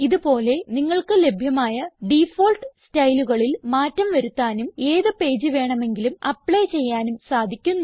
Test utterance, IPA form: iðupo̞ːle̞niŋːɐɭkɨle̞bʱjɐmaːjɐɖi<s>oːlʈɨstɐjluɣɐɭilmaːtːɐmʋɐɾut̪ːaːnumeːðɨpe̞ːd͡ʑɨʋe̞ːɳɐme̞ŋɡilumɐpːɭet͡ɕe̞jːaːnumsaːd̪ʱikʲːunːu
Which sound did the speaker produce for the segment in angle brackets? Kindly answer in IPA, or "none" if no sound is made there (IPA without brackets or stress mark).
f